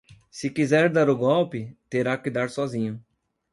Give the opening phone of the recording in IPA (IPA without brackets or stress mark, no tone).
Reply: s